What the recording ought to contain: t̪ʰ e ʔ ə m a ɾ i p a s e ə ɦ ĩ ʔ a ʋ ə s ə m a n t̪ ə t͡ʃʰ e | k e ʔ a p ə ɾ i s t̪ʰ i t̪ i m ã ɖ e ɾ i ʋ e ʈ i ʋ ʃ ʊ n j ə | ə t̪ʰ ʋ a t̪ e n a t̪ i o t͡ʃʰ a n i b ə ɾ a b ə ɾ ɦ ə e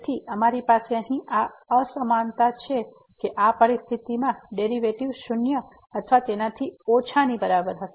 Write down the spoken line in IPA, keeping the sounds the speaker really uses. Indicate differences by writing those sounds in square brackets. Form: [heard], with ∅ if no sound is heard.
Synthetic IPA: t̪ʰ [i] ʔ ə m a ɾ i p a s e ə ɦ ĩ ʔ a [∅] ə s ə m a n t̪ [a] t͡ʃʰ e | k e ʔ a p ə ɾ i s t̪ʰ i t̪ i m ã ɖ e ɾ i ʋ e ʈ i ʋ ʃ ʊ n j ə | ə t̪ʰ ʋ a t̪ e n a [t̪ʰ] i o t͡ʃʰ a n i b ə ɾ a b ə ɾ ɦ ə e